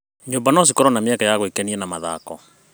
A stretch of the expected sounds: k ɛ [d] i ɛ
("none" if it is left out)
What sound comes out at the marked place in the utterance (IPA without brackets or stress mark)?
n